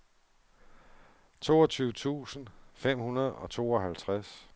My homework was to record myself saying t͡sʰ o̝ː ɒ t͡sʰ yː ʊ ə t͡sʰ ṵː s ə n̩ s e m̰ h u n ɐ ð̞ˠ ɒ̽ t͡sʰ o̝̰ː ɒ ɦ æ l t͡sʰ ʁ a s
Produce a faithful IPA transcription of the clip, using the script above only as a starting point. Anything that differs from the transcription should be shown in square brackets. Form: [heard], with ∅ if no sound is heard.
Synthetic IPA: t͡sʰ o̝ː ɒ t͡sʰ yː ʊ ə t͡sʰ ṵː s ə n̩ [f] e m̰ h u n ɐ ð̞ˠ ɒ̽ t͡sʰ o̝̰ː ɒ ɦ æ l t͡sʰ ʁ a s